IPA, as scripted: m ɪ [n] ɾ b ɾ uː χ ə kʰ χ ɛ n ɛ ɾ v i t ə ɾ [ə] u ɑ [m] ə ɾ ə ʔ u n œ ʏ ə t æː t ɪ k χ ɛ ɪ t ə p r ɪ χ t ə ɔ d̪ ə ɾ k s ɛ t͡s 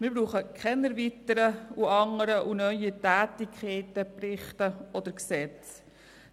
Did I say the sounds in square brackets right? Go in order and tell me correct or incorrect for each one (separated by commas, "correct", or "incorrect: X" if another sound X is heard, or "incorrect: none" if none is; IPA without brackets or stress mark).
incorrect: none, correct, incorrect: ŋ